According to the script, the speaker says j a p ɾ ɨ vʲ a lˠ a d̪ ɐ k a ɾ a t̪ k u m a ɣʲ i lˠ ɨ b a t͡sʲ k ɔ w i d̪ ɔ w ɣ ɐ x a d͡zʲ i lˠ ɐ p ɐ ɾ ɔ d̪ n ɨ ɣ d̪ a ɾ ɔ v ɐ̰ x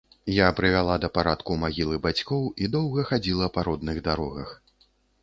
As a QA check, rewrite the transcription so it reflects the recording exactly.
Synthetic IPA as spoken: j a p ɾ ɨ vʲ a lˠ a d̪ ɐ p a ɾ a t̪ k u m a ɣʲ i lˠ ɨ b a t͡sʲ k ɔ w i d̪ ɔ w ɣ ɐ x a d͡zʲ i lˠ ɐ p a ɾ ɔ d̪ n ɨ ɣ d̪ a ɾ ɔ ɣ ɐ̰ x